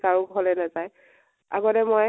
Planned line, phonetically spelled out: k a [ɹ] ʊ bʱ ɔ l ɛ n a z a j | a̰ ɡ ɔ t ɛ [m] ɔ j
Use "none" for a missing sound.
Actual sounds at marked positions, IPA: ɹ, m

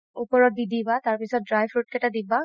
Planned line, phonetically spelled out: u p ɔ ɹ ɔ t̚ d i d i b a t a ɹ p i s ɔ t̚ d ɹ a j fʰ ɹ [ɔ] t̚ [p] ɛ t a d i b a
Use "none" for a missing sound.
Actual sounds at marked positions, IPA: u, k

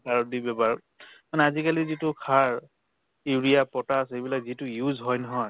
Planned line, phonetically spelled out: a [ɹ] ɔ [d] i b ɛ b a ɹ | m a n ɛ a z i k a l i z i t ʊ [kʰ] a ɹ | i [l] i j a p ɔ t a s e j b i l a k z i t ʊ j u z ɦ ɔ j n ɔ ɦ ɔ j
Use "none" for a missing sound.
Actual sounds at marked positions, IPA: ɹ, d, kʰ, ɹ

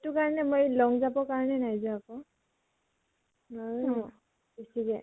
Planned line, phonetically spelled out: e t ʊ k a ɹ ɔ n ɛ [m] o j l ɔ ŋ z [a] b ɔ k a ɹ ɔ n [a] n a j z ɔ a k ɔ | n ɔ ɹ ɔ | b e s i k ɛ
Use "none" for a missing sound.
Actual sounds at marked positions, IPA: m, a, ɛ

